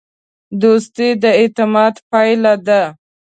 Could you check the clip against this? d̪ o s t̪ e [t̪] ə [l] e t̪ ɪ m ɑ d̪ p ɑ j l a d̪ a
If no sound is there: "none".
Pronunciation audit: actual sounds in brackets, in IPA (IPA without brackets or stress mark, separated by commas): d̪, none